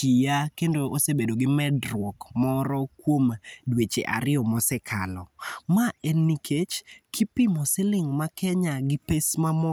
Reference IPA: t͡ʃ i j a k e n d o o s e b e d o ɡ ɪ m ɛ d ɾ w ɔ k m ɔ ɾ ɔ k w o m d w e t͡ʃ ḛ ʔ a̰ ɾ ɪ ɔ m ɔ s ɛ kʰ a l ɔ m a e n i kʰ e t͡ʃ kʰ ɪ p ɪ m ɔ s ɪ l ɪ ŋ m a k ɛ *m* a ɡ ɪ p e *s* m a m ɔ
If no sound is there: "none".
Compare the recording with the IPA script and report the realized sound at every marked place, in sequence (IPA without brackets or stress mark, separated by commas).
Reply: ɲ, s